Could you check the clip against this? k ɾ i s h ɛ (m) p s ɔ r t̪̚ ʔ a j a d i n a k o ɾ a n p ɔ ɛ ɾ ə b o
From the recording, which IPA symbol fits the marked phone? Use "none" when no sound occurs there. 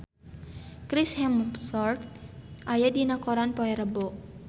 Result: m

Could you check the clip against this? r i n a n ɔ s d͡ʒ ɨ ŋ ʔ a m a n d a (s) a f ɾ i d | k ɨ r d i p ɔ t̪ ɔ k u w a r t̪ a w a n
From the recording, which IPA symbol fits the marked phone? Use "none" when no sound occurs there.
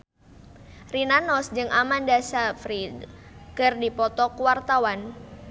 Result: s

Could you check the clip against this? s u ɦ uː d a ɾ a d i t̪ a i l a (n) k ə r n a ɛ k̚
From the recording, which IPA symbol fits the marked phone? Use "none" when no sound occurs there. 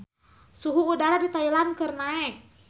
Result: n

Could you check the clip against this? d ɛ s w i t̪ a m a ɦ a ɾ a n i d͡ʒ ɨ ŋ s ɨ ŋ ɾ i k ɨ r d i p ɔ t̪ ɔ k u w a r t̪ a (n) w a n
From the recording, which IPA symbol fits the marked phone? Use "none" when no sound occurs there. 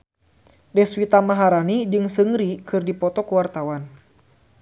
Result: none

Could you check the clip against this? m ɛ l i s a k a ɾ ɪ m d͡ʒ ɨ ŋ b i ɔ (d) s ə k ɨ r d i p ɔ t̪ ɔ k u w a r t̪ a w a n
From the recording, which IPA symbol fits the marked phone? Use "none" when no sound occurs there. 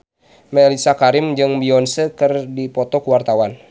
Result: n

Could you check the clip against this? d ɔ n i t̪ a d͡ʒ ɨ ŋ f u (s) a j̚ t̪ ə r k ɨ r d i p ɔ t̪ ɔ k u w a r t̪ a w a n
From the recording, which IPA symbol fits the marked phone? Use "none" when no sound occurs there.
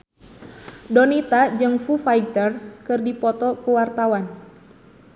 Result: f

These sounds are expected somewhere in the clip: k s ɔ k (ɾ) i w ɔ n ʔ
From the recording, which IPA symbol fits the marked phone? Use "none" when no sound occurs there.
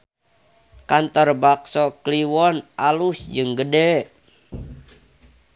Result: l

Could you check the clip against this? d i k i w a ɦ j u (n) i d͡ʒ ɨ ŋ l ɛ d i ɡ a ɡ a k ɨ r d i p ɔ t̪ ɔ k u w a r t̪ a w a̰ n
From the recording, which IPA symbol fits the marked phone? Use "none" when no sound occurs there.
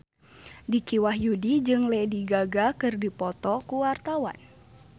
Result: d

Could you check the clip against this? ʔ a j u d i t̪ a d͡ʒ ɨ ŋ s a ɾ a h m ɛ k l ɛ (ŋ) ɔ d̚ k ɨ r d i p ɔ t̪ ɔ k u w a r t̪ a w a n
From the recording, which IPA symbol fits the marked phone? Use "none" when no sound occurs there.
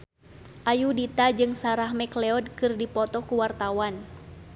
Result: none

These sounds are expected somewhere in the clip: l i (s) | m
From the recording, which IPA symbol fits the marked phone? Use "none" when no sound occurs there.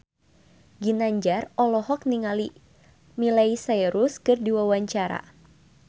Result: none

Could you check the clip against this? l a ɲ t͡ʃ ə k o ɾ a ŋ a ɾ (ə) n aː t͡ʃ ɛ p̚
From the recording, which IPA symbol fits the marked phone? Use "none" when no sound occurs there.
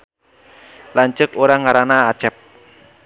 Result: a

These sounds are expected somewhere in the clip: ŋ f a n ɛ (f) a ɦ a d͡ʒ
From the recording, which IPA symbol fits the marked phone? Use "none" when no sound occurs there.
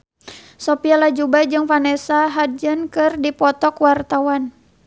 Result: s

